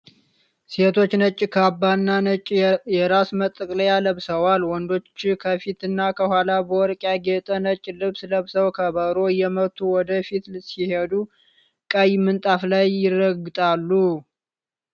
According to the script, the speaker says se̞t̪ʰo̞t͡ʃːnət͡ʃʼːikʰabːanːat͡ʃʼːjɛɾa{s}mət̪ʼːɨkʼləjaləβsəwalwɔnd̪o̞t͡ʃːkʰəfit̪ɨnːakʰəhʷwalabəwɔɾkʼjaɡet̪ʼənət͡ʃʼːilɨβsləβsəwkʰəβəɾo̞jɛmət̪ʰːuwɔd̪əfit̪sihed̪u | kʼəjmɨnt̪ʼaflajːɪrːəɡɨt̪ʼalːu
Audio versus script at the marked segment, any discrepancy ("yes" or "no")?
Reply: no